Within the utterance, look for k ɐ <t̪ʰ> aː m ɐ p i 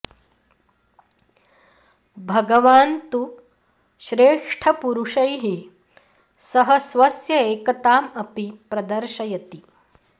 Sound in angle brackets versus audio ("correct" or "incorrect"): incorrect